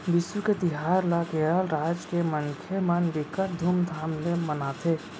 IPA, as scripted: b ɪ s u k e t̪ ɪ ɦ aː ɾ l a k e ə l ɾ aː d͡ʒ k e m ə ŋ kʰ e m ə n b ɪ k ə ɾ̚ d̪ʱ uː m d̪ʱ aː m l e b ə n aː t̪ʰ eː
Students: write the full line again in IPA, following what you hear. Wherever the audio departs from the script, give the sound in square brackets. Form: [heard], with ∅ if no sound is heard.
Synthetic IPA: b ɪ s u k e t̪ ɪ ɦ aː ɾ l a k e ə l ɾ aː d͡ʒ k e m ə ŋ kʰ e m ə n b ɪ k ə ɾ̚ d̪ʱ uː m d̪ʱ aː m l e [m] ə n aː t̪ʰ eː